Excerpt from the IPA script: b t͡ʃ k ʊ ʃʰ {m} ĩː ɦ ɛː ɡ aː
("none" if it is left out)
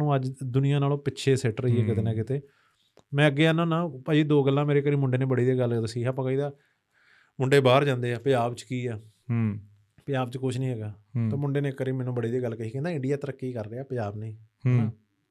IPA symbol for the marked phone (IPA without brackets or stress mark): n